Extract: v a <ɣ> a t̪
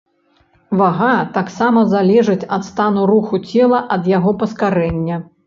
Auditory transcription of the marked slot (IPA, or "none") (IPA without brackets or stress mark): ɣ